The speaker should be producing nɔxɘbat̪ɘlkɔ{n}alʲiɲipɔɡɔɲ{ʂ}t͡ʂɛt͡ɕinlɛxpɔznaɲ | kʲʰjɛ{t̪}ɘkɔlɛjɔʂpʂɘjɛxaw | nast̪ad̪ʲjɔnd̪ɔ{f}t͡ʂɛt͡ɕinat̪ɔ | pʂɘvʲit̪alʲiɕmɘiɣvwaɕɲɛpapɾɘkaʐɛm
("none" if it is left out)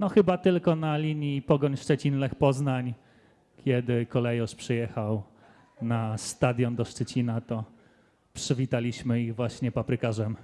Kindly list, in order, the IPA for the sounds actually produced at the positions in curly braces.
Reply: n, ʂ, d̪, ʂ

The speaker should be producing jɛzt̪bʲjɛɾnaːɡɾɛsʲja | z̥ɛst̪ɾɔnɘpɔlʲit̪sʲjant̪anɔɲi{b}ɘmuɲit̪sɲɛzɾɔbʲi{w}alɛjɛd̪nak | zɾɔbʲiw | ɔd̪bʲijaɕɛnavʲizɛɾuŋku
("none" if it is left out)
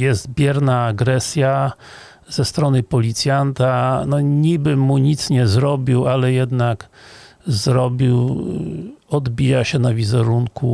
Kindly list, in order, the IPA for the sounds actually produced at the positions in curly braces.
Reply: b, w

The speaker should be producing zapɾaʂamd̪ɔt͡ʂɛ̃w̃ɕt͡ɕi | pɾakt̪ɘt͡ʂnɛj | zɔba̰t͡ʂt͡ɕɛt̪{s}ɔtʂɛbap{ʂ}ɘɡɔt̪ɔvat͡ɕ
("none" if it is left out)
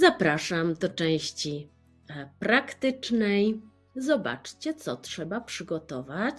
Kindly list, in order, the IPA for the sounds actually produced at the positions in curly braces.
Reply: s, ʂ

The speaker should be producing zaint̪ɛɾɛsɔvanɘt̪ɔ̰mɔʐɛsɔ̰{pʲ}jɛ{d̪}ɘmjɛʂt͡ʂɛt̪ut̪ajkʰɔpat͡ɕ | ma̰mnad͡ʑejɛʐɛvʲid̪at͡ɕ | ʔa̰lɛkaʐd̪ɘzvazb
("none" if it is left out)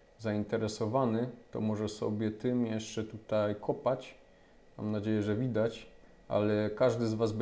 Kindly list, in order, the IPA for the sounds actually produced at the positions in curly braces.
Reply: bʲ, t̪

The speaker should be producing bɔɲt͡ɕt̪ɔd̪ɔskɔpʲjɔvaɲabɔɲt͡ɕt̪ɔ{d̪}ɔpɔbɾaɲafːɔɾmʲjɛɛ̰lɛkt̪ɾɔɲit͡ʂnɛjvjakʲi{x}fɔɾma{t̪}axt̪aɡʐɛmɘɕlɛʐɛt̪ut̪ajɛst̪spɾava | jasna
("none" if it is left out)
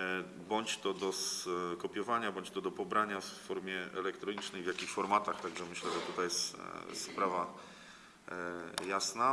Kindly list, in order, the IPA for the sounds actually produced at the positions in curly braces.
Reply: d̪, x, t̪

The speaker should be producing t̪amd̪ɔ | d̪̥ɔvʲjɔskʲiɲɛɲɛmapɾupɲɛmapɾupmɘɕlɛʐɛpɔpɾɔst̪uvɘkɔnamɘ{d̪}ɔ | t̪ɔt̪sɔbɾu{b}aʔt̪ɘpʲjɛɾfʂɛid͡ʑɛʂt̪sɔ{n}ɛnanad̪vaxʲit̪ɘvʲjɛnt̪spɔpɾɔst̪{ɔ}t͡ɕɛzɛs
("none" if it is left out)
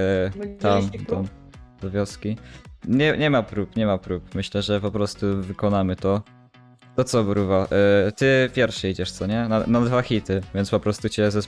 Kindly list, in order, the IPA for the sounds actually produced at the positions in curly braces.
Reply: t̪, v, ɲ, u

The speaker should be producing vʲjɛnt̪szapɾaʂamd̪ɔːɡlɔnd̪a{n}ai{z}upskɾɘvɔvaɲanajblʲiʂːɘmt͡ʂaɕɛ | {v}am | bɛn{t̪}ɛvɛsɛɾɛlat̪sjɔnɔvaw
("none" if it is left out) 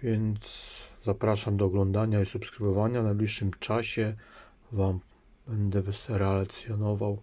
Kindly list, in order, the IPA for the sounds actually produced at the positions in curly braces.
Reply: ɲ, s, v, d̪

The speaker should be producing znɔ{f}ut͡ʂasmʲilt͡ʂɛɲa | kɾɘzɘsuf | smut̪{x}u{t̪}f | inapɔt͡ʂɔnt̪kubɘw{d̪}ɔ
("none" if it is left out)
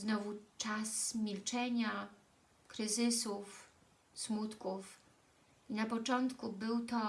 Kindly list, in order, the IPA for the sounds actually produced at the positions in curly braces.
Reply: v, k, none, t̪

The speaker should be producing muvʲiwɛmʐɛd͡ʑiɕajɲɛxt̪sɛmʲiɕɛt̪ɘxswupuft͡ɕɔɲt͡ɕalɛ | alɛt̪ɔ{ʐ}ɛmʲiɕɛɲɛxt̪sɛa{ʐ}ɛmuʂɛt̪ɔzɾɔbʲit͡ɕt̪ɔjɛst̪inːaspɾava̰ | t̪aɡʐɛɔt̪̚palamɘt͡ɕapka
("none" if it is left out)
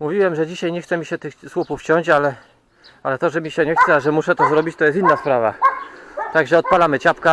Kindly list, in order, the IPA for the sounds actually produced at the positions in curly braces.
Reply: ʐ, ʐ

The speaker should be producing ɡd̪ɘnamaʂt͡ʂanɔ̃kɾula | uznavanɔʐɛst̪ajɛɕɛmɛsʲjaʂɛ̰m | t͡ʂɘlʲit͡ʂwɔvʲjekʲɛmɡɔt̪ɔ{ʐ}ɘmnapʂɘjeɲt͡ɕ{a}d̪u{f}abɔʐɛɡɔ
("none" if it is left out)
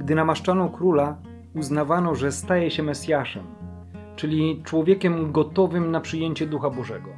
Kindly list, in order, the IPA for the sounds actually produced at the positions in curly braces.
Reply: v, ɛ, x

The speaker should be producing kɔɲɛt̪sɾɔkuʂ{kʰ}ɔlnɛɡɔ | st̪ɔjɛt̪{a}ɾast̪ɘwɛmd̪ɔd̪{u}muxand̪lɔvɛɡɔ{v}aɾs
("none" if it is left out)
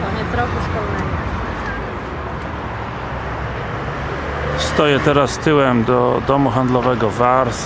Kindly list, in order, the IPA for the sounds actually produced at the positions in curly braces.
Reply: k, ɛ, ɔ, v

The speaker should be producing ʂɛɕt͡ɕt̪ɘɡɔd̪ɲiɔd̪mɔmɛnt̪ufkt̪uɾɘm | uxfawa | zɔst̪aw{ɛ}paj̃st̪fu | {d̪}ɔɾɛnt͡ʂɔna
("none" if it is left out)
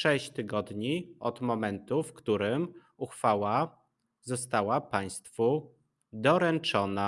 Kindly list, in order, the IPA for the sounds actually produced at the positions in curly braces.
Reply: a, d̪

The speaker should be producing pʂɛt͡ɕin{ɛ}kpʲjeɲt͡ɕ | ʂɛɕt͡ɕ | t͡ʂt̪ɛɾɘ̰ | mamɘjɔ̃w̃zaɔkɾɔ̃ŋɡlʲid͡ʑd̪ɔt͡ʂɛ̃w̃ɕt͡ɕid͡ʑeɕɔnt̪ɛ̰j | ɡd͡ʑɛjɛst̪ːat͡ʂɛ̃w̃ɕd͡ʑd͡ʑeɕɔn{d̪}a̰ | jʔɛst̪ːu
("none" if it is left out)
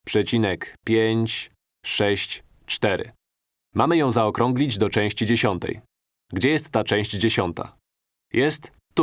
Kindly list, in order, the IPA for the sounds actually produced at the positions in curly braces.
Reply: ɛ, t̪

